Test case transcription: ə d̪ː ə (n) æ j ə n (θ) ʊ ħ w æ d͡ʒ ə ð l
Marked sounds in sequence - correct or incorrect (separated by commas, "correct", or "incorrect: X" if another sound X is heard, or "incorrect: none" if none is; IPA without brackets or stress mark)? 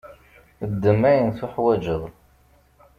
incorrect: m, correct